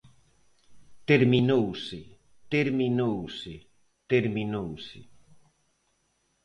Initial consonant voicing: voiceless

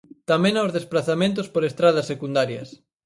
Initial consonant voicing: voiceless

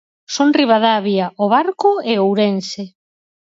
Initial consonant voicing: voiceless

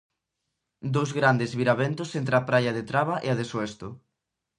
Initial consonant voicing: voiced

